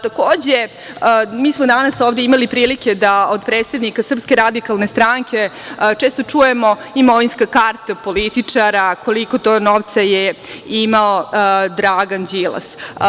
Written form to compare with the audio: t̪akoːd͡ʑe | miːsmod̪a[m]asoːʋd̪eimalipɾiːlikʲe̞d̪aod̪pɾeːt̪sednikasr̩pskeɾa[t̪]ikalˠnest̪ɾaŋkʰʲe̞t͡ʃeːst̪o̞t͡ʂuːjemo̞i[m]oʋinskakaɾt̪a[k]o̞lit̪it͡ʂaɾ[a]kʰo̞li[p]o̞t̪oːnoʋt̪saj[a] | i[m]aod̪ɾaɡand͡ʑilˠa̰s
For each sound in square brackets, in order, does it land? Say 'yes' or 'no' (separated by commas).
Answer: no, no, yes, no, yes, no, no, yes